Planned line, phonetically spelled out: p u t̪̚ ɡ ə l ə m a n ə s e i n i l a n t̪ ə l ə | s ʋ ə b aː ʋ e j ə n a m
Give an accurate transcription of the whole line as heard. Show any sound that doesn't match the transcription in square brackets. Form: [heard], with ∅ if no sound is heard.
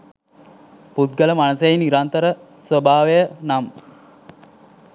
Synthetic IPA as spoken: p u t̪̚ ɡ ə l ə m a n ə s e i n i [ɾ] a n t̪ ə [ɾ] ə | s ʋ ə b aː ʋ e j ə n a m